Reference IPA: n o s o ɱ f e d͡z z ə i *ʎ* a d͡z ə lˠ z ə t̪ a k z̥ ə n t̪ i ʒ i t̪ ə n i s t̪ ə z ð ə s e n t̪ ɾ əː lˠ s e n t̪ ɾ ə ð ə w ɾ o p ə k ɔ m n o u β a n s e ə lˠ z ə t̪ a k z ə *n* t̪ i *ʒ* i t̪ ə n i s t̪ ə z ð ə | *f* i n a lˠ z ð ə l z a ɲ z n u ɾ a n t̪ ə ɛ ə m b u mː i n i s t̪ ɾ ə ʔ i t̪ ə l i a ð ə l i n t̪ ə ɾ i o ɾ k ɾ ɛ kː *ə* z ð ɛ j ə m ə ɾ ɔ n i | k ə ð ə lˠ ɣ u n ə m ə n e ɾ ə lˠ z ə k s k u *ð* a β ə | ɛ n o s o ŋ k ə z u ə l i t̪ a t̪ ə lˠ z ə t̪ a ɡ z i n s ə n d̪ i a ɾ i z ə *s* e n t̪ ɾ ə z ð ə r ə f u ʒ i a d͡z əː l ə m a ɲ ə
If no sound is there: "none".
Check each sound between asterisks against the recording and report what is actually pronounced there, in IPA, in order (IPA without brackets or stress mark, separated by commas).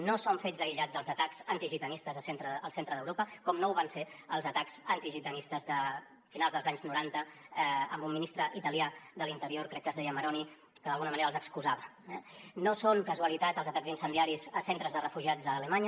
ʎ, n, ʒ, f, ə, z, s